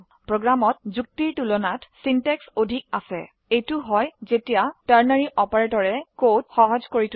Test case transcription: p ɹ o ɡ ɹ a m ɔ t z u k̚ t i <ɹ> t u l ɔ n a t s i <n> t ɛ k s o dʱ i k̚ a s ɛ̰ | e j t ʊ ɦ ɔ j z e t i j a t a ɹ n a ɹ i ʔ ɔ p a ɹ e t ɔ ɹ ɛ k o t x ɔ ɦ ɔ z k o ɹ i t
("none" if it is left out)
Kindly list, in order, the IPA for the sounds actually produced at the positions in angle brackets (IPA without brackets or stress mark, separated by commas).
ɹ, n